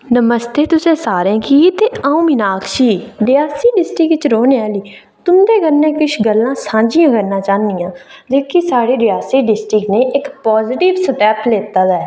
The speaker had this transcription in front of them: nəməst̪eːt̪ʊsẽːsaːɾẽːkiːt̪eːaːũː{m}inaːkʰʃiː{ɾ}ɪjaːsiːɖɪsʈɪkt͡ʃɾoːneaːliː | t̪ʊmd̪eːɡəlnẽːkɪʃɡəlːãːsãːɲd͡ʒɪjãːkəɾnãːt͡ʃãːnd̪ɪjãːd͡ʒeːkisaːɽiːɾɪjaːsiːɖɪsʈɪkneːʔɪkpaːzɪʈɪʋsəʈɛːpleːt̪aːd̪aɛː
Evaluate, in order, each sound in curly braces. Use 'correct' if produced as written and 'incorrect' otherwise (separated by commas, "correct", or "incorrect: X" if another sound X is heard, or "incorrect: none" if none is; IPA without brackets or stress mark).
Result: correct, correct